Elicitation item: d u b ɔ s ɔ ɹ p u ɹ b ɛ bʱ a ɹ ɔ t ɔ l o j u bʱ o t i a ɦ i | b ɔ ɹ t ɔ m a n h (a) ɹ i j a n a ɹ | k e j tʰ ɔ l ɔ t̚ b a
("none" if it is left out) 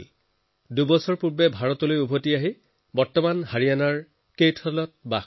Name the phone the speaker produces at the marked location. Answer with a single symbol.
a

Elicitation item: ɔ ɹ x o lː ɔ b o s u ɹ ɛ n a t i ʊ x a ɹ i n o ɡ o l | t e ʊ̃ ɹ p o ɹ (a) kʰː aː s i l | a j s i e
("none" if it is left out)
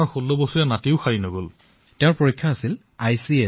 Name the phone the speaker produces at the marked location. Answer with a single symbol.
i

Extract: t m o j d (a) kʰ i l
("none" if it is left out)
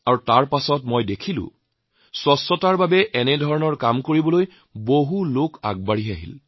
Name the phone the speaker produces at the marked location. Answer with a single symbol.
e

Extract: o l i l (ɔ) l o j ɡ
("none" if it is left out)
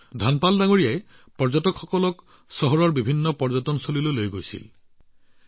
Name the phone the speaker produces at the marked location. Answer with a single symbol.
o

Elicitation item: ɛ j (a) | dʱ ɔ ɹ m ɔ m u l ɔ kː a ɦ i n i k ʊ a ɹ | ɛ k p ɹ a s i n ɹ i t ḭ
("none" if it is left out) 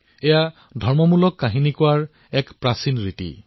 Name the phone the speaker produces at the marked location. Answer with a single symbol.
a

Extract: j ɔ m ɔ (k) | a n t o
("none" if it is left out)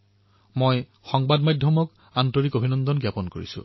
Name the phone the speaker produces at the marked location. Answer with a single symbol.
k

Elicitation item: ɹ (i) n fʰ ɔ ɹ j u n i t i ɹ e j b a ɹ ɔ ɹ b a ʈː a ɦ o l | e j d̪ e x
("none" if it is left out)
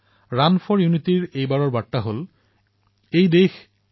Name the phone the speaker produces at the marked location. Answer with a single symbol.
a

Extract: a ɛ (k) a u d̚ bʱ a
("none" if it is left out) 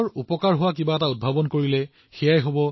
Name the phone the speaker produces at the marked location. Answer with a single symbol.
t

